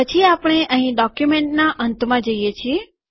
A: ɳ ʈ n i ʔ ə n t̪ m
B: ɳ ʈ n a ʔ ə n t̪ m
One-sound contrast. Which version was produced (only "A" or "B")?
B